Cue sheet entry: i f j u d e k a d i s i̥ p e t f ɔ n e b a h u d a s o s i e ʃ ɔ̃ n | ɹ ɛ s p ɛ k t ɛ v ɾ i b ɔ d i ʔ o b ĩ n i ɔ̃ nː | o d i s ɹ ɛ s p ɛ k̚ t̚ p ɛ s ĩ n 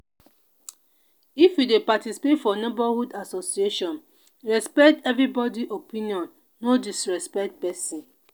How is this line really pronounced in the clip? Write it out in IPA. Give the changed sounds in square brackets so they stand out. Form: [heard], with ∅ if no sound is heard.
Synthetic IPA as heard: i f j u d e [p] a [t] i s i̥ p e t f ɔ n e b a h u d a s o s i e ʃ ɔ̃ n | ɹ ɛ s p ɛ k t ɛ v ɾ i b ɔ d i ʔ o [p] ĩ n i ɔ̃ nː | o d i s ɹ ɛ s p ɛ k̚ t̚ p ɛ s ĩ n